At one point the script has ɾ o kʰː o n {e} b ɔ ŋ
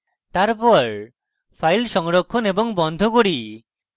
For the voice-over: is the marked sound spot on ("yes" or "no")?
yes